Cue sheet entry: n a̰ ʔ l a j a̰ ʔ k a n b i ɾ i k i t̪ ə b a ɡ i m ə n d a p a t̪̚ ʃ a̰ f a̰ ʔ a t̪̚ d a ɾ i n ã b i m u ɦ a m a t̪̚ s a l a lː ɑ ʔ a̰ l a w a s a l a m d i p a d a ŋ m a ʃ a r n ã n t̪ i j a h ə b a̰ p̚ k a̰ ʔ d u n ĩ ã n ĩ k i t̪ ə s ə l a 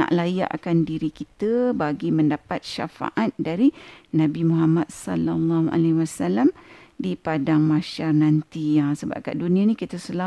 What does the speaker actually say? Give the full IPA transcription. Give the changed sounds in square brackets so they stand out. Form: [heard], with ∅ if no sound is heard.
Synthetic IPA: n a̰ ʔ l a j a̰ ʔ k a n [d] i ɾ i k i t̪ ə b a ɡ i m ə n d a p a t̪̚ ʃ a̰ f a̰ ʔ a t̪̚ d a ɾ i n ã b i m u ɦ a m a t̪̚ s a l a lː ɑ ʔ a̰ l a w a s a l a m d i p a d a ŋ m a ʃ a r n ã n t̪ i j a [s] ə b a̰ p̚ k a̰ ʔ d u n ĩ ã n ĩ k i t̪ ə s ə l a